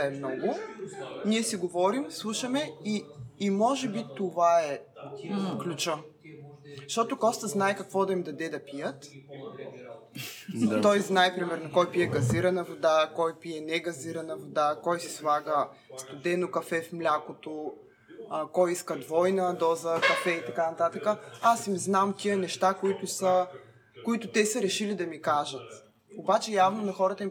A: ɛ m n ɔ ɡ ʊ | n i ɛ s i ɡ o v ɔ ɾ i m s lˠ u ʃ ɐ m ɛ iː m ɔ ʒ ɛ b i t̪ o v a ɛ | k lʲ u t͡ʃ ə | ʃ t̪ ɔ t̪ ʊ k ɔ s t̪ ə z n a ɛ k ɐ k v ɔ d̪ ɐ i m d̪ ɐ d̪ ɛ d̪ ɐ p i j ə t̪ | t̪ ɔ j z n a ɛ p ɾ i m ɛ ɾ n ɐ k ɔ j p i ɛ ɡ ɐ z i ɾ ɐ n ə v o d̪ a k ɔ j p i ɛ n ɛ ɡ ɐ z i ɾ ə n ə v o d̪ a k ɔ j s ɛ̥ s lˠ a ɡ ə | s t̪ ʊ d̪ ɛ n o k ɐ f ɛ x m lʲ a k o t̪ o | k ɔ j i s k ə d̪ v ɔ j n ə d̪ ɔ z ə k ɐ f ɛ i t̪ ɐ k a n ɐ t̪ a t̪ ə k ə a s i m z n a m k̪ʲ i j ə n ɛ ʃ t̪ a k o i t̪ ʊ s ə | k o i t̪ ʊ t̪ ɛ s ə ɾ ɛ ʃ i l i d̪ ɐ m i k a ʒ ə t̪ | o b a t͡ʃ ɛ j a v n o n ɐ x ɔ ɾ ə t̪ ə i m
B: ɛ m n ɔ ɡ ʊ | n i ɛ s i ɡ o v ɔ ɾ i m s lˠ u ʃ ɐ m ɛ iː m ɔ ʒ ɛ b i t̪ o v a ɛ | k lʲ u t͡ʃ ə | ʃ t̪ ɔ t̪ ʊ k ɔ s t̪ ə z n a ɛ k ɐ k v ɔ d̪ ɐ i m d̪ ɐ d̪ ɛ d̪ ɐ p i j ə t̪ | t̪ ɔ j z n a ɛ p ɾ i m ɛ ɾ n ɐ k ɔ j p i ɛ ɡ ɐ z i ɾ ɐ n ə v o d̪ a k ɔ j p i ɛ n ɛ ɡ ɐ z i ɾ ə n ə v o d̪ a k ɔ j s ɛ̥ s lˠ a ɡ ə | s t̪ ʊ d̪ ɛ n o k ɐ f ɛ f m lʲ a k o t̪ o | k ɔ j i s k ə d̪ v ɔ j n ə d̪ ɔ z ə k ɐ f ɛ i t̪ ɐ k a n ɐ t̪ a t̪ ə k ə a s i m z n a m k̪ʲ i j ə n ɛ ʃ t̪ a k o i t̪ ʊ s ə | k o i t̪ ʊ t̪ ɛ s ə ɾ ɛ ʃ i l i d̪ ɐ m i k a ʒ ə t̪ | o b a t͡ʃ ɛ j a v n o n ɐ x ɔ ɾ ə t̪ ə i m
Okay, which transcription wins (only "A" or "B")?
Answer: B